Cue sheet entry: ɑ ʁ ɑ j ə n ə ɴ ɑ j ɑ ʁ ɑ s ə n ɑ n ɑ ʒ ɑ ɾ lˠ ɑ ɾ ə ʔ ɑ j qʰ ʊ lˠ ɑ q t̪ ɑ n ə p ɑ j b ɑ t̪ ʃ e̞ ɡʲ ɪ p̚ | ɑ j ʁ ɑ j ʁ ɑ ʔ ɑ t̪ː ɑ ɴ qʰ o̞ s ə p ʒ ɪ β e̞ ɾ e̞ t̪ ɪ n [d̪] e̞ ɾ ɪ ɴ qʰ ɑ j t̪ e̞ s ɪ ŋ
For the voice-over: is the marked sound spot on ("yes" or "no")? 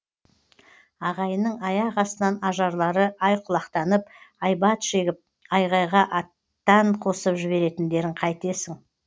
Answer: yes